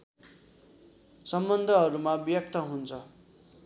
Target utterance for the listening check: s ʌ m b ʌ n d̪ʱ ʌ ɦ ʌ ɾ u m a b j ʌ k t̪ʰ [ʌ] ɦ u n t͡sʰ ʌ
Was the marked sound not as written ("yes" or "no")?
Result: no